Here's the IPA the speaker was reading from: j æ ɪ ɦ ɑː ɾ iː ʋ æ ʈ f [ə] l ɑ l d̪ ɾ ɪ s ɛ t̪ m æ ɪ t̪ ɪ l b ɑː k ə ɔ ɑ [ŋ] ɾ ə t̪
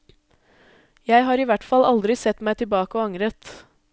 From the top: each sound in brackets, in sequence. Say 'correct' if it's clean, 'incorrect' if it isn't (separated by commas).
incorrect, correct